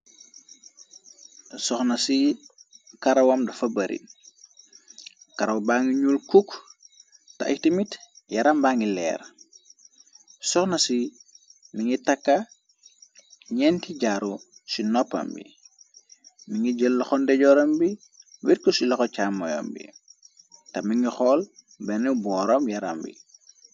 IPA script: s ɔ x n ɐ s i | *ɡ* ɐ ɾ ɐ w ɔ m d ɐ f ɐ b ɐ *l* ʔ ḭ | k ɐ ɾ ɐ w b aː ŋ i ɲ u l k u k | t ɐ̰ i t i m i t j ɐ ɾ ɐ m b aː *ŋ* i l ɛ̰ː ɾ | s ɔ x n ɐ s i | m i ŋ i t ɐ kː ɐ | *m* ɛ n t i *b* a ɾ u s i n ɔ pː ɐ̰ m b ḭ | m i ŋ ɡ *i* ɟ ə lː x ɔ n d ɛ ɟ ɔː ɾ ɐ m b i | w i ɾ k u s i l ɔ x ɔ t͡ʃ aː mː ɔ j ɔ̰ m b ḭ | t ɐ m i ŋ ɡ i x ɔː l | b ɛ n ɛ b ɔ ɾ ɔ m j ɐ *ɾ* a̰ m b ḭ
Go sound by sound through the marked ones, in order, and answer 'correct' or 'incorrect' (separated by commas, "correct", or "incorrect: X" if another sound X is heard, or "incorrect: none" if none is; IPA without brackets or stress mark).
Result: incorrect: k, incorrect: ɾ, correct, incorrect: ɲ, incorrect: ɟ, correct, correct